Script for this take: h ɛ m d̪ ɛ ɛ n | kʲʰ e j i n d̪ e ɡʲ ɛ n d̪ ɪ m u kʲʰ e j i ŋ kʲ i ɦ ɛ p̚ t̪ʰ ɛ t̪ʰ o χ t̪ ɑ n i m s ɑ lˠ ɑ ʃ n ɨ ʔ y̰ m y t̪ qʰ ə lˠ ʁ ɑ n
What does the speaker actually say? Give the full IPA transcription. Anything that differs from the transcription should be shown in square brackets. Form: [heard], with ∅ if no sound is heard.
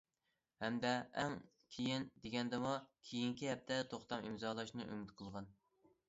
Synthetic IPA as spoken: h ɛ m d̪ ɛ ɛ [ŋ] | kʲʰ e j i n d̪ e ɡʲ ɛ n d̪ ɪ m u kʲʰ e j i ŋ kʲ i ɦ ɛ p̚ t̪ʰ ɛ t̪ʰ o χ t̪ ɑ [m] i m [z] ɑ lˠ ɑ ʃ n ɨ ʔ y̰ m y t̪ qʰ ə lˠ ʁ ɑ n